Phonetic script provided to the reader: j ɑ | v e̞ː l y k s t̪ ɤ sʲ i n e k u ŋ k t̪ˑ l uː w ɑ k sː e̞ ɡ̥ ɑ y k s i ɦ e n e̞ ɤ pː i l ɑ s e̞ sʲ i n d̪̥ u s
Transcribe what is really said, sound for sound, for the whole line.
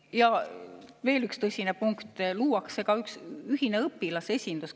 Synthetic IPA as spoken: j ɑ | v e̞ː l y k s t̪ ɤ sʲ i n e p u ŋ k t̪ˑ l uː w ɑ k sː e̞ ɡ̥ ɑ y k s y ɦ i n e̞ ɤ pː i l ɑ s e̞ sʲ i n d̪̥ u s